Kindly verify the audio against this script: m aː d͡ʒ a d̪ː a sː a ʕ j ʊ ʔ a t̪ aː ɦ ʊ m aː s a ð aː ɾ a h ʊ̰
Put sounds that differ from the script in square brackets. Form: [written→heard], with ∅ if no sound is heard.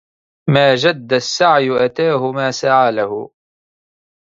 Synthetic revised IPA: m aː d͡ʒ a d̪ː a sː a ʕ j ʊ ʔ a t̪ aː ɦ ʊ m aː s a [ð→ʕ] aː [ɾ→l] a h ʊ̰

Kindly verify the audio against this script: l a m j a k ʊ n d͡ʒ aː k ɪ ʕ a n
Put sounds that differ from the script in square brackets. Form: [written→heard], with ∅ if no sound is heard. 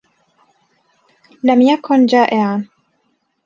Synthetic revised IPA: l a m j a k ʊ n d͡ʒ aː [k→ʔ] ɪ ʕ a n

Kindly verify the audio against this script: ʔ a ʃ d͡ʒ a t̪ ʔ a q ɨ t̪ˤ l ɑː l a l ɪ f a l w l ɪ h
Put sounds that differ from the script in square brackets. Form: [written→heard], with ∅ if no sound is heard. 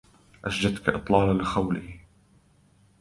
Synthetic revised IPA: ʔ a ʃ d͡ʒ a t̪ [ʔ→k] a [q→ʔ] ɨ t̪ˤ l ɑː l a l ɪ [f→x] a [l→∅] w l ɪ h

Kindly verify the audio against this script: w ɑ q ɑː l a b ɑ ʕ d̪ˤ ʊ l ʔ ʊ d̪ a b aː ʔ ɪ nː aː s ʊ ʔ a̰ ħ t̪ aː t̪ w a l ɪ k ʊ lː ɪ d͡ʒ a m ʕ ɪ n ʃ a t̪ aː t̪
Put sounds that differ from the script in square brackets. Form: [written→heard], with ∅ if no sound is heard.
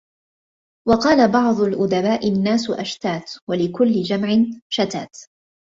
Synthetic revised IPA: w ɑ q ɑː l a b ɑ ʕ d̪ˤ ʊ l ʔ ʊ d̪ a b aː ʔ ɪ nː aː s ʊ ʔ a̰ [ħ→ʃ] t̪ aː t̪ w a l ɪ k ʊ lː ɪ d͡ʒ a m ʕ ɪ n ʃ a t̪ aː t̪

